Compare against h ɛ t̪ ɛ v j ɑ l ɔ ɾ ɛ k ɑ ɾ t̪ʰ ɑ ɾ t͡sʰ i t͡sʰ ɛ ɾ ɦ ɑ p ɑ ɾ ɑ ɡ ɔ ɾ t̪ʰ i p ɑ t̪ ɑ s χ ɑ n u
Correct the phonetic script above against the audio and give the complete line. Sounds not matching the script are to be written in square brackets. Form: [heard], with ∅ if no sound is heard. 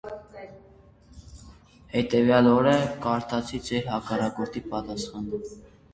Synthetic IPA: h ɛ t̪ ɛ v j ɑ l ɔ ɾ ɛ k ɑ ɾ t̪ʰ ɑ [∅] t͡sʰ i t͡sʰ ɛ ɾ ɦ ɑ [k] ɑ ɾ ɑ [k] ɔ ɾ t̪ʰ i p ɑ t̪ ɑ s χ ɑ n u